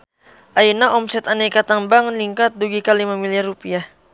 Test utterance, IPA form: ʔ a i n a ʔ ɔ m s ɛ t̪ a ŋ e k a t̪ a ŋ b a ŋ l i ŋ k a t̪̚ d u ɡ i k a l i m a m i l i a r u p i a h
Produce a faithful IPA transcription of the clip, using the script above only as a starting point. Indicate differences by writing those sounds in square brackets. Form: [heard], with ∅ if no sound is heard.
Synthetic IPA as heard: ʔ a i n a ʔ ɔ m s ɛ t̪ a [n] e k a t̪ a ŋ b a ŋ l i ŋ k a t̪̚ d u ɡ i k a l i m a m i l i a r u p i a h